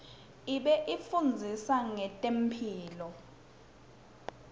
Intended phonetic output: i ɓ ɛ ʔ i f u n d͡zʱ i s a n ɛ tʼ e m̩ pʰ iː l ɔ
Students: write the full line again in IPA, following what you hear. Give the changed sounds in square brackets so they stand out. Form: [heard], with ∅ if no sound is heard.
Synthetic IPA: i ɓ ɛ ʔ i f u n d͡zʱ i s a [ŋ] ɛ tʼ e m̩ pʰ iː l ɔ